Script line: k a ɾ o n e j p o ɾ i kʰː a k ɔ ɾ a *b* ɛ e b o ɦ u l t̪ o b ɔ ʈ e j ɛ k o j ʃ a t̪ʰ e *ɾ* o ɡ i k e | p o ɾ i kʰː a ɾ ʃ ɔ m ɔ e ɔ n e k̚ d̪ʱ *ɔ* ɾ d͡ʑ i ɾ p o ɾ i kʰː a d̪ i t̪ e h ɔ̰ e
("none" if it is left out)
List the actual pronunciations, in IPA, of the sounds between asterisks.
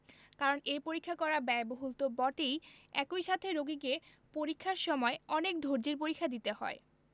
b, ɾ, o

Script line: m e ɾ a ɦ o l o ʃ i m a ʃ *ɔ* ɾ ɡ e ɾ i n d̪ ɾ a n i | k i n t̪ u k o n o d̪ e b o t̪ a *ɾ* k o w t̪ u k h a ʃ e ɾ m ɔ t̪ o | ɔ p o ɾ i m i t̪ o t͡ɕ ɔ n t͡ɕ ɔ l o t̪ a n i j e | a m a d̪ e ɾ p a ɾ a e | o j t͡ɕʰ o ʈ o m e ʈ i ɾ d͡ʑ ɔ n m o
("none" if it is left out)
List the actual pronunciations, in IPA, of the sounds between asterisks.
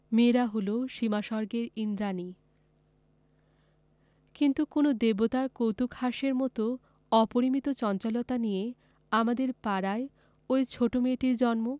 ɔ, ɾ

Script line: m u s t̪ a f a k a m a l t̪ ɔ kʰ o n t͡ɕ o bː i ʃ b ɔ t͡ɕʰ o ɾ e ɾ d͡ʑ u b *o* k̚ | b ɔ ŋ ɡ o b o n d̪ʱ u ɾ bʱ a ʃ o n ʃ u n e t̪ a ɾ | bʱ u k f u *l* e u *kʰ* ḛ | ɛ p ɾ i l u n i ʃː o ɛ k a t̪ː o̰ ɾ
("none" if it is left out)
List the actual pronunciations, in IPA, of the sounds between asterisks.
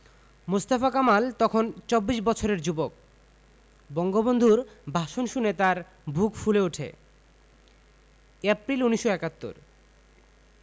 o, l, ʈʰ

